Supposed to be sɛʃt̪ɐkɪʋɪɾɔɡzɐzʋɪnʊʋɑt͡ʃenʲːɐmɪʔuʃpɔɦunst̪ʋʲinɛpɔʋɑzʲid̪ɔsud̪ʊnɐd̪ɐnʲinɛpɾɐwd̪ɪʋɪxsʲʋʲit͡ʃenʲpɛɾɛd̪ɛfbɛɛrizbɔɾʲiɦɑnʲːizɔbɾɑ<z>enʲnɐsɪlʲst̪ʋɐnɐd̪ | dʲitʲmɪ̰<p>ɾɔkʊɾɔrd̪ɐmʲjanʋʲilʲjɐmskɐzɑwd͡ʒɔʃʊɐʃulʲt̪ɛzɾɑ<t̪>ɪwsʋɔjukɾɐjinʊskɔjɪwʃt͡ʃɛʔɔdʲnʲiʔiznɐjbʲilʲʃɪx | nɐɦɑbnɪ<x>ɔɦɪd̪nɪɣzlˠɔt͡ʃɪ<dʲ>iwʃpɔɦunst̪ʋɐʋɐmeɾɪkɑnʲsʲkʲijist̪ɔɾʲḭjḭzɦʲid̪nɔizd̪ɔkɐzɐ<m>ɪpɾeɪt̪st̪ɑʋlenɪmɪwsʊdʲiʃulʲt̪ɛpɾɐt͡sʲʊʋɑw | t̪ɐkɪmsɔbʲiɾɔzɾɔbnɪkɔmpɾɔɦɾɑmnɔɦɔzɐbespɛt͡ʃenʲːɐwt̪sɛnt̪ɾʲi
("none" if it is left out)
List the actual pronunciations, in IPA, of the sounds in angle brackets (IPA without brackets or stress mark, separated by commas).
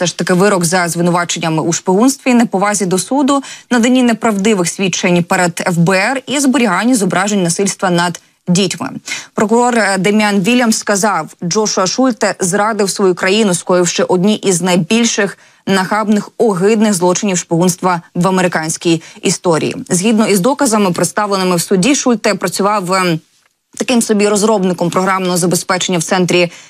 ʒ, p, d̪, x, nʲ, m